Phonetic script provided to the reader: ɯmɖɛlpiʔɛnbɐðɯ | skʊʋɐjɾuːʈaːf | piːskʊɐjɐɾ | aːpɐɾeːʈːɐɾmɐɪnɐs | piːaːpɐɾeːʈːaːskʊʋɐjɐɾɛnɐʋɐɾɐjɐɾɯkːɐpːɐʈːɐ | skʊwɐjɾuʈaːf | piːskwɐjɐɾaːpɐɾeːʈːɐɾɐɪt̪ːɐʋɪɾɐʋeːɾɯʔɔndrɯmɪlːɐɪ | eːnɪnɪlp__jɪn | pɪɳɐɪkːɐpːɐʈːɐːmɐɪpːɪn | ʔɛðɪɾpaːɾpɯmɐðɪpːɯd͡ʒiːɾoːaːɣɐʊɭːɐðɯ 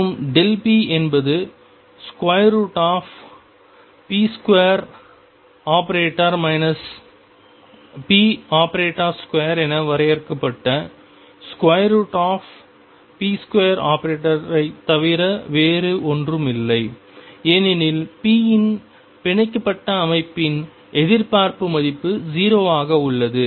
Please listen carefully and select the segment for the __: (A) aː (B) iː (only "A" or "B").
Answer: B